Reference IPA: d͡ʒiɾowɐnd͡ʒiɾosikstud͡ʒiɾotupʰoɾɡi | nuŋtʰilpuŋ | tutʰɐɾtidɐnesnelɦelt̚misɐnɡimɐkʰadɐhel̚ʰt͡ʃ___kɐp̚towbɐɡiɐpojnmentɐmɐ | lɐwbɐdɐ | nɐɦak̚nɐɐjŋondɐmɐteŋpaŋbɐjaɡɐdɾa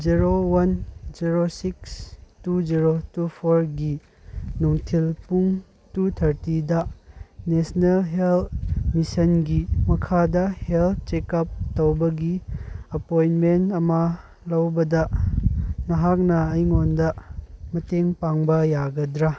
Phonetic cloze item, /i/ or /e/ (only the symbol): e